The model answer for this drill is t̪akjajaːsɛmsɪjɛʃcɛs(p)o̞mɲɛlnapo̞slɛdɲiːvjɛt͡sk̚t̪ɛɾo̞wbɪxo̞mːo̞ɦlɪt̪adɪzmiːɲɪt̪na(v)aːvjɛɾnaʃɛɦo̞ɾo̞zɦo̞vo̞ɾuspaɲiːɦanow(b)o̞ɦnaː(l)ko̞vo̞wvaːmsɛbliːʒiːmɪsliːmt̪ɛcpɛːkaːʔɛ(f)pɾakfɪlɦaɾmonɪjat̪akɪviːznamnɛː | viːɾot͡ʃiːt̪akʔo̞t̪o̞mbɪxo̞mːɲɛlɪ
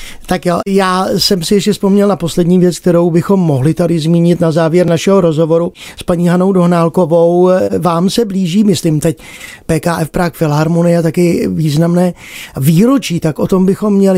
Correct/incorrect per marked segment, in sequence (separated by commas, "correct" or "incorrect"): correct, incorrect, incorrect, correct, correct